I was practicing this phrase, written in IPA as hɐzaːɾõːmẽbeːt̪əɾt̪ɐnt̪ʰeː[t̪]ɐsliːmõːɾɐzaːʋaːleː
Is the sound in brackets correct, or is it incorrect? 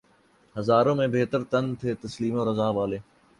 correct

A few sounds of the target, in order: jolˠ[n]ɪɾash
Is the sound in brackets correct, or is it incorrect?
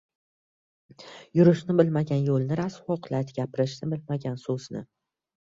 correct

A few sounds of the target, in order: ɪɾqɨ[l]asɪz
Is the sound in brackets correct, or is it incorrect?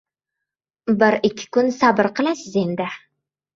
correct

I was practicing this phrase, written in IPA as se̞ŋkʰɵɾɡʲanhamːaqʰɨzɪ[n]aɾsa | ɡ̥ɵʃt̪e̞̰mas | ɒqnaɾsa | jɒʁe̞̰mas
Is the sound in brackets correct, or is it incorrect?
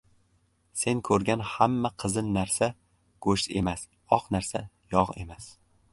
incorrect: nː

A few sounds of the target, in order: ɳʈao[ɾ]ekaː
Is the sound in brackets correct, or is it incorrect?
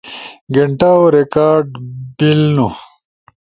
correct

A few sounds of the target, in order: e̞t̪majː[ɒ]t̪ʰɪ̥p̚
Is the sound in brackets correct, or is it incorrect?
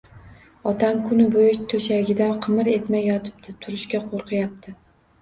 correct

